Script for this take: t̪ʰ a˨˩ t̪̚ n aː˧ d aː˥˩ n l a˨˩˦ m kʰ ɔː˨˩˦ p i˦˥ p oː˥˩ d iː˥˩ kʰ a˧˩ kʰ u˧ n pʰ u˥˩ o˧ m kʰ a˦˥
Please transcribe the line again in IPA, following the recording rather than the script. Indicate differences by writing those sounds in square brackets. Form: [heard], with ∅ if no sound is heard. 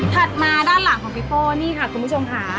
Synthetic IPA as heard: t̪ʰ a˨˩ t̪̚ [m] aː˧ d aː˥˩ n l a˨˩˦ [ŋ] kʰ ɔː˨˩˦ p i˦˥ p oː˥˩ [n] iː˥˩ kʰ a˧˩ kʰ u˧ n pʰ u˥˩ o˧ m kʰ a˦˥